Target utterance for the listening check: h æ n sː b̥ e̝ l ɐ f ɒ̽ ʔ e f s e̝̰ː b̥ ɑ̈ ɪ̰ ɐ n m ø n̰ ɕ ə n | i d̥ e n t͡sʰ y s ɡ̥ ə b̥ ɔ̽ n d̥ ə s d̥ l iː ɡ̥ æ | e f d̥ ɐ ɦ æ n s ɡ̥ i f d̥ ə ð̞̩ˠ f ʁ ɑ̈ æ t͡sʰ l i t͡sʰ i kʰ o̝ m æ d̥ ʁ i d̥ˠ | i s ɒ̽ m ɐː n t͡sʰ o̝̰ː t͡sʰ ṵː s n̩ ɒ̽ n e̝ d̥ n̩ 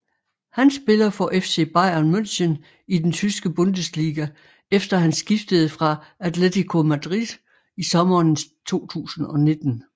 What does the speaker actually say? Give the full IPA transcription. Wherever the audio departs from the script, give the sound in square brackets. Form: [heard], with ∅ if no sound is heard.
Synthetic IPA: h æ n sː b̥ e̝ l ɐ f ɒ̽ ʔ e f s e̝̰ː b̥ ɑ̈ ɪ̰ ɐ n m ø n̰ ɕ ə n | i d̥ e n t͡sʰ y s ɡ̥ ə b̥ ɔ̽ n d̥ ə s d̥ l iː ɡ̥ æ | e f d̥ ɐ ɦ æ n s ɡ̥ i f d̥ ə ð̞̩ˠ f ʁ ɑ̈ æ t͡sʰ l [e] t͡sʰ i kʰ o̝ m æ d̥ ʁ i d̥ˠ | i s ɒ̽ m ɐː n t͡sʰ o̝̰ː t͡sʰ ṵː s n̩ ɒ̽ n e̝ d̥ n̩